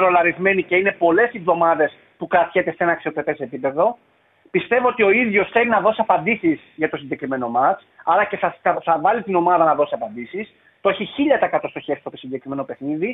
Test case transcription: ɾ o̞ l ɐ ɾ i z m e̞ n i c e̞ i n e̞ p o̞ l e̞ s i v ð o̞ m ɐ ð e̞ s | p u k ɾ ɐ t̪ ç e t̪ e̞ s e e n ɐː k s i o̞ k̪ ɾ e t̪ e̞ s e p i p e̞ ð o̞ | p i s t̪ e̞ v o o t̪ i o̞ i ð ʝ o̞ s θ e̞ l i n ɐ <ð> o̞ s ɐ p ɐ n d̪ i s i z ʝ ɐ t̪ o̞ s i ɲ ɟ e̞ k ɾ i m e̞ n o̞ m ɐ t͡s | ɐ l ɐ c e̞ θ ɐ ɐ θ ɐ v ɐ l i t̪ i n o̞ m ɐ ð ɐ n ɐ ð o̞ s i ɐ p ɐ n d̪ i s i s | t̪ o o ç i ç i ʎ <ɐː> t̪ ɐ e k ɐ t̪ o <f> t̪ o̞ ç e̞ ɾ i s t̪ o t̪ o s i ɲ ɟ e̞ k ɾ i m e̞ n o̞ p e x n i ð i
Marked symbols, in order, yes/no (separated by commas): yes, no, no